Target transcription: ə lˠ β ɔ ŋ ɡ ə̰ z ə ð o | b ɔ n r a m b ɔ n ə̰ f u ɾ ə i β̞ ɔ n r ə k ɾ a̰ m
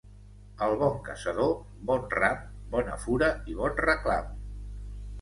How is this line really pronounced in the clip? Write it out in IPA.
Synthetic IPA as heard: ə lˠ β ɔ ŋ k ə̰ s ə ð o | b ɔ n r a m b ɔ n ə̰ f u ɾ ə i β̞ ɔ n r ə k l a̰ m